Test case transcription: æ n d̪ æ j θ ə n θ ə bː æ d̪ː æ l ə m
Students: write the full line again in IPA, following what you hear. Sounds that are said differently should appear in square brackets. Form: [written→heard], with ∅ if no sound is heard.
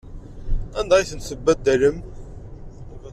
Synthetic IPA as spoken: æ n d̪ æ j θ ə n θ ə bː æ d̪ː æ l ə m